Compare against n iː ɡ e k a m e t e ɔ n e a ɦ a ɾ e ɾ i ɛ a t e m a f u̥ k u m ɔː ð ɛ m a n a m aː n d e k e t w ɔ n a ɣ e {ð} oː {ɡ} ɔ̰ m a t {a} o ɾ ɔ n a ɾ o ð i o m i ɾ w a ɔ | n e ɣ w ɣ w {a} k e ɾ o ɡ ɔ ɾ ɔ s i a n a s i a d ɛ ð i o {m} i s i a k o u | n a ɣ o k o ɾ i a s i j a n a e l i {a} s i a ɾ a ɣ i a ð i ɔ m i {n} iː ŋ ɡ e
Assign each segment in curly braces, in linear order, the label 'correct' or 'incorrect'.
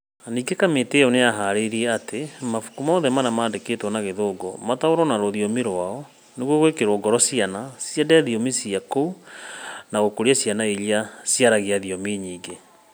correct, correct, correct, incorrect: e, correct, correct, incorrect: ɲ

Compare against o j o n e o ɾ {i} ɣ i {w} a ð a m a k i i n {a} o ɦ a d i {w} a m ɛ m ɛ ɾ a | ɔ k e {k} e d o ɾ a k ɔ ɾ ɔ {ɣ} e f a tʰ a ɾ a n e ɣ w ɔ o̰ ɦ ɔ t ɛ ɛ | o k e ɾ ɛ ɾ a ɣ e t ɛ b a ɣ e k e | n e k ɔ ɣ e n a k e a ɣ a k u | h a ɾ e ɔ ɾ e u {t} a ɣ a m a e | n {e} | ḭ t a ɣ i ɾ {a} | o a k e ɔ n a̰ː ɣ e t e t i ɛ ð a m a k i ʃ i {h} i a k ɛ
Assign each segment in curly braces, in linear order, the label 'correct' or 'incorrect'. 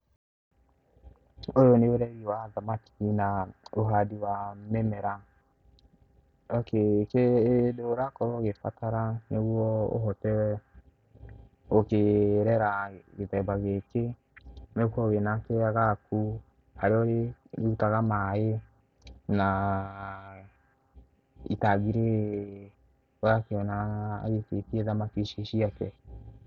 incorrect: ɛ, correct, correct, correct, correct, correct, correct, incorrect: a, incorrect: e, incorrect: ʃ

